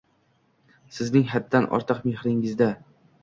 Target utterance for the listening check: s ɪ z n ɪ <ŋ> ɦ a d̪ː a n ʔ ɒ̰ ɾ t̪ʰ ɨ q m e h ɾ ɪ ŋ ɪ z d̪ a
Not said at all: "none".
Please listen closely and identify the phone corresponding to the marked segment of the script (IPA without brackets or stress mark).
ŋ